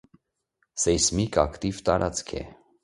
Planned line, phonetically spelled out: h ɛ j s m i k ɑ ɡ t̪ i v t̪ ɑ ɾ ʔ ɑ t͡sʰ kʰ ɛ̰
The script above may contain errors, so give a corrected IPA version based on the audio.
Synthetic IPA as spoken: s ɛ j s m i k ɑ k t̪ i v t̪ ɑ ɾ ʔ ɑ t͡s kʰ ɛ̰